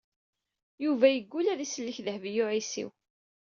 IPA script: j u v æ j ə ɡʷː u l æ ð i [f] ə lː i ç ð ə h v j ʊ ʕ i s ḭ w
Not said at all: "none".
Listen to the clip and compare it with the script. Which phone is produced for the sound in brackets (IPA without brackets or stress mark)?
s